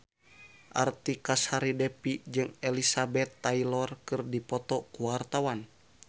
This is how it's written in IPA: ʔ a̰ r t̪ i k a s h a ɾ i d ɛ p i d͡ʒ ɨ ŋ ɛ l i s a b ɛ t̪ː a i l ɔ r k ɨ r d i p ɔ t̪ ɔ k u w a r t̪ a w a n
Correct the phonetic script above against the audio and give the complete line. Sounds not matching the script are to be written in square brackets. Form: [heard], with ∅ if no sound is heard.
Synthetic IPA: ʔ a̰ r t̪ i k a s h a ɾ i d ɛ p i d͡ʒ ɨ ŋ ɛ l i s a b ɛ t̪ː a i l ɔ r k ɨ r d i p ɔ t̪ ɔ k u w a r t̪ a w a n